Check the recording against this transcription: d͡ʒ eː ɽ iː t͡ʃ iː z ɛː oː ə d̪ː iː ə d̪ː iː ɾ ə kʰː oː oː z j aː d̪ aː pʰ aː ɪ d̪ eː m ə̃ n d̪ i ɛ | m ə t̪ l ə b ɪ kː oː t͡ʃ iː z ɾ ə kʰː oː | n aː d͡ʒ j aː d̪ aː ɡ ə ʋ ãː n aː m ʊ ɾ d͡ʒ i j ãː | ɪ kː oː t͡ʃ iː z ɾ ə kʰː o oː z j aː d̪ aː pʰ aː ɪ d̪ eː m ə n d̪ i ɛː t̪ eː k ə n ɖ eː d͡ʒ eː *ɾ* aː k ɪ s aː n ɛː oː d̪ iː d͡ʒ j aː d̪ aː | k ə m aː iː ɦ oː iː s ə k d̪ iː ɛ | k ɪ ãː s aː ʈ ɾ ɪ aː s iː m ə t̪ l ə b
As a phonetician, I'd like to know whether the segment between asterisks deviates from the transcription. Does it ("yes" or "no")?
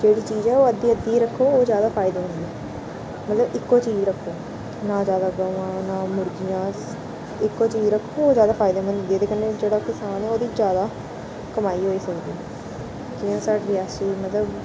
yes